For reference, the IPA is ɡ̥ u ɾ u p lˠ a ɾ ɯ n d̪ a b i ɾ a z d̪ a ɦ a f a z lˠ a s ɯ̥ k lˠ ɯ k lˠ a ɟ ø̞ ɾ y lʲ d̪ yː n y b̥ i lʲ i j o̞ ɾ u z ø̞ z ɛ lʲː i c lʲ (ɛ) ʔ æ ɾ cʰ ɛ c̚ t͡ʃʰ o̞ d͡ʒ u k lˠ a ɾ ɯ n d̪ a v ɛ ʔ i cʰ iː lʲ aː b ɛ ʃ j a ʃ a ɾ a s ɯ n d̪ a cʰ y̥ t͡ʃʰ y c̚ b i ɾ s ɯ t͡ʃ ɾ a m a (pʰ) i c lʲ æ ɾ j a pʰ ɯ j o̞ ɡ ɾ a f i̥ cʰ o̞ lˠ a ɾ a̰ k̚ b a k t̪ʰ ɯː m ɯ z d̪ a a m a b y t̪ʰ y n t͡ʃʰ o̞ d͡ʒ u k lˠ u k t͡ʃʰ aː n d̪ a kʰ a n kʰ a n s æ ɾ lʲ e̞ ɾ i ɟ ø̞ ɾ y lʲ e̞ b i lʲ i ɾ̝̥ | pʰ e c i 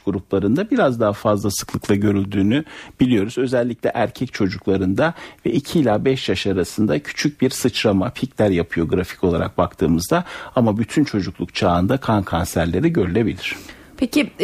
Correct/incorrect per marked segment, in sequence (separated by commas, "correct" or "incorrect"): correct, correct